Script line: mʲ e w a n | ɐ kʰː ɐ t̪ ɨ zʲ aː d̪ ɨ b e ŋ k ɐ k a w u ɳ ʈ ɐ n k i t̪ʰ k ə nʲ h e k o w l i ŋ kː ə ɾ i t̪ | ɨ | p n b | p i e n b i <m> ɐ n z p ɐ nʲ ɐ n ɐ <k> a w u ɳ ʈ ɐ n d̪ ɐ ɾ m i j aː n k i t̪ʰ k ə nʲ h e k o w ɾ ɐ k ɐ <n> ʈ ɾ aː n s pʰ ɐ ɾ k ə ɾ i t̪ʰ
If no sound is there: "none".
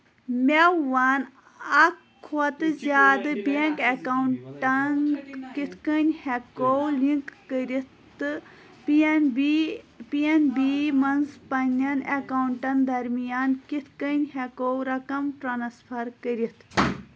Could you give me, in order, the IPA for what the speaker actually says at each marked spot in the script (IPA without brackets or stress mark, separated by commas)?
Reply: m, k, m